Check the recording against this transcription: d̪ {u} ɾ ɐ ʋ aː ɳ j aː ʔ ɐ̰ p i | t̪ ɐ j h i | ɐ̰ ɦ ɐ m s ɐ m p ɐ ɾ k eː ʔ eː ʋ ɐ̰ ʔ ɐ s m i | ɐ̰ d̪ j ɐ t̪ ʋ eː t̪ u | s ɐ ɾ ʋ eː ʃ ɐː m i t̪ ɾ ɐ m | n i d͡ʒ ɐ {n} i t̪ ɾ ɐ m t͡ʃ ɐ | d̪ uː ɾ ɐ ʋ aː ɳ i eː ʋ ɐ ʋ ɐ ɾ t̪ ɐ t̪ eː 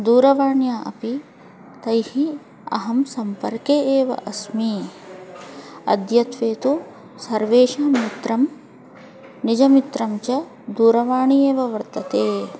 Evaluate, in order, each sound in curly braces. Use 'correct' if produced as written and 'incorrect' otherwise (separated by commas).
incorrect, incorrect